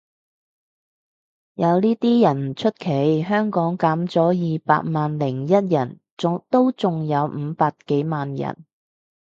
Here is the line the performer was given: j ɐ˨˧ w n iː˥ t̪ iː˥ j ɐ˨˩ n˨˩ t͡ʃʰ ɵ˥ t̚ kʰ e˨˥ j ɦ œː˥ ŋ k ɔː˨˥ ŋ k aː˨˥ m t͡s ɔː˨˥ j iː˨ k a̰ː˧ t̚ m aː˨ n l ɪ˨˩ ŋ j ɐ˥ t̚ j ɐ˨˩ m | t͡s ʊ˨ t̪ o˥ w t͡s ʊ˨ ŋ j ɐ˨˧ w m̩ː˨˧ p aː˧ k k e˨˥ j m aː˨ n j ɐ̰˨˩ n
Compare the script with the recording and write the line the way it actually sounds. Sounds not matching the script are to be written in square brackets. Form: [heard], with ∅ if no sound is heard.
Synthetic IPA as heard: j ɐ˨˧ w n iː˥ t̪ iː˥ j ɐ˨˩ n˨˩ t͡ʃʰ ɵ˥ t̚ kʰ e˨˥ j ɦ œː˥ ŋ k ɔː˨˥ ŋ k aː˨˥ m t͡s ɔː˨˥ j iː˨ [p] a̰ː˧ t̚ m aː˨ n l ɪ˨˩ ŋ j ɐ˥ t̚ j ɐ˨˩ [n] | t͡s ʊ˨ t̪ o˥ w t͡s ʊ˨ ŋ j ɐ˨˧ w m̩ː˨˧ p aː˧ k k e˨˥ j m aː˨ n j ɐ̰˨˩ n